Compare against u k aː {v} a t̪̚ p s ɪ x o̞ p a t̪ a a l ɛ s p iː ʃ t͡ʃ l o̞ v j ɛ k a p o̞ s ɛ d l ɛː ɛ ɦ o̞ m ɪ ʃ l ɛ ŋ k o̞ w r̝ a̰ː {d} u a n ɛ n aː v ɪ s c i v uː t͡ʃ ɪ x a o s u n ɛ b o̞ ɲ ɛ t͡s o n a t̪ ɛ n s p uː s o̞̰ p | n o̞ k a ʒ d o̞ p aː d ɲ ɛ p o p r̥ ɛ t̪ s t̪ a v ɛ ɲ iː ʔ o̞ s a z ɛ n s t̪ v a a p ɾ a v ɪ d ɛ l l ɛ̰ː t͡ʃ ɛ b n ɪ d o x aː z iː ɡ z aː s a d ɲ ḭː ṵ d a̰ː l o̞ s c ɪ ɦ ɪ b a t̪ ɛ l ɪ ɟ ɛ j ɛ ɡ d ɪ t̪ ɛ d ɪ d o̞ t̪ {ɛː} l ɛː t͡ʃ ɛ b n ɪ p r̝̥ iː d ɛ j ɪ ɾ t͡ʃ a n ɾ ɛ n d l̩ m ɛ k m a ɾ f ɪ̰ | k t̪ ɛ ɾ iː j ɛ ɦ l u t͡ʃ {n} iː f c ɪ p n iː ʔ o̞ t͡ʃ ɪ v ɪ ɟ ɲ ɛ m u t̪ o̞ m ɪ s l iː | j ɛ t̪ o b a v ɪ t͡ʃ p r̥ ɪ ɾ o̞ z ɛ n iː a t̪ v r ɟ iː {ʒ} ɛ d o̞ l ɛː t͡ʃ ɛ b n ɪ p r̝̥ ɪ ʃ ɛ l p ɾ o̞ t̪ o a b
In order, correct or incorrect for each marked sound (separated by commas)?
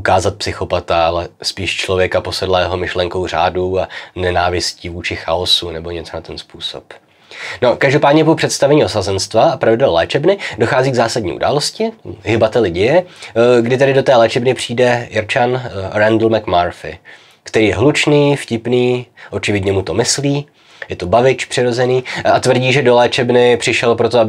incorrect, correct, correct, correct, correct